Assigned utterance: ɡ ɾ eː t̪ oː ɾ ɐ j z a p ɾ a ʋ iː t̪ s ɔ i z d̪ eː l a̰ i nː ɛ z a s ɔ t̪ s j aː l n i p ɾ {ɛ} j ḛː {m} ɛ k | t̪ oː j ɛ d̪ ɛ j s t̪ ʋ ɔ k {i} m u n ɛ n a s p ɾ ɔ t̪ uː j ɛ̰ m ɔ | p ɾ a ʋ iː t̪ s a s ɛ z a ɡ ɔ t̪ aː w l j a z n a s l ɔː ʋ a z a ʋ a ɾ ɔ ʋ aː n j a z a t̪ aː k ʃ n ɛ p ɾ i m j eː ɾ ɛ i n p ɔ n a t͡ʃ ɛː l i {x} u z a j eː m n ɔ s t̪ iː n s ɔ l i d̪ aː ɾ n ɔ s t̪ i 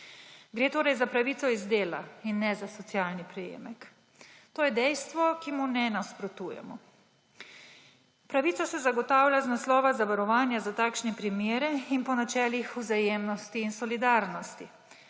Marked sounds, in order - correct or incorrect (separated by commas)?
correct, correct, correct, correct